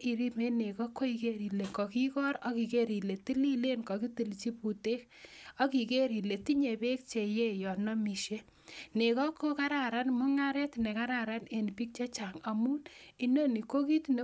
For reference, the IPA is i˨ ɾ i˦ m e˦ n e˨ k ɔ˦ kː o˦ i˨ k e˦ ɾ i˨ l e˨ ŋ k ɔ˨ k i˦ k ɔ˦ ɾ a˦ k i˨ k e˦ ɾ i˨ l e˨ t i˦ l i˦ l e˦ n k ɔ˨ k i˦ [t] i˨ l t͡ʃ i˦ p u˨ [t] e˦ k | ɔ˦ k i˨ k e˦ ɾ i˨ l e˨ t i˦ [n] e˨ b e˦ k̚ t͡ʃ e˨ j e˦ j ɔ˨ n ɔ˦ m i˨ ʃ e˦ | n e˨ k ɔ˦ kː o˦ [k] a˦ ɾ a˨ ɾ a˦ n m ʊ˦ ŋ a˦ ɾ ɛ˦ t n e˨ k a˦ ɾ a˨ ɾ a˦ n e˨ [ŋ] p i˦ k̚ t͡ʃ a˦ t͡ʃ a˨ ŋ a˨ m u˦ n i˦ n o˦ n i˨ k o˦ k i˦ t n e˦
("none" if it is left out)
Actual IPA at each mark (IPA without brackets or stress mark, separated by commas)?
t, t, ɲ, k, n